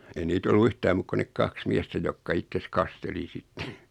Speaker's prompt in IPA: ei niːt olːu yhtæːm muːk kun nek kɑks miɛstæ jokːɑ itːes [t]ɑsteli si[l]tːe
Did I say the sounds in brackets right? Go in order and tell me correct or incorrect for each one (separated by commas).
incorrect, incorrect